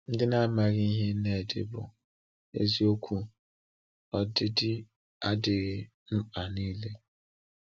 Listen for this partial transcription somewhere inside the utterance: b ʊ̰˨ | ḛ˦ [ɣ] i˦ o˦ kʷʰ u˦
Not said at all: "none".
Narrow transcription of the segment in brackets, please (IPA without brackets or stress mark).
z